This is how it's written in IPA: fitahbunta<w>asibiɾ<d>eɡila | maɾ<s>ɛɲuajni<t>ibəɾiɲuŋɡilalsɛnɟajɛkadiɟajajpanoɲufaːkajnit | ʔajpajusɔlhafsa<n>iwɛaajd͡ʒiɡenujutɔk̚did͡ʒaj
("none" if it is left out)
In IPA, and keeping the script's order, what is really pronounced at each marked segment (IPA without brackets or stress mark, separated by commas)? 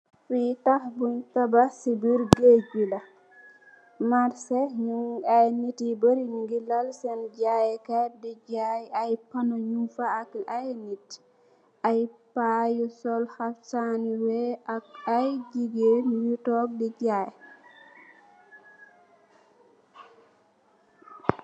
b, ɡ, s, t, n